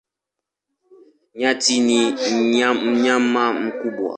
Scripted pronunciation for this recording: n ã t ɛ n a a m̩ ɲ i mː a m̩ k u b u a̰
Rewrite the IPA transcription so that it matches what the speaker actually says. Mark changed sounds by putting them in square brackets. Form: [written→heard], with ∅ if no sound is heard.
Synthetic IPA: [n→ɲ] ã t [ɛ→i] n [a→i] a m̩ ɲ [i→a] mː a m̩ k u b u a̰